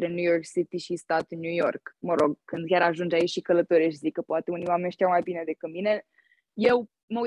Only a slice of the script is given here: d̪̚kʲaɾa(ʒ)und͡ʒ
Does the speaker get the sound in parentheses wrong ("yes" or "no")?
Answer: no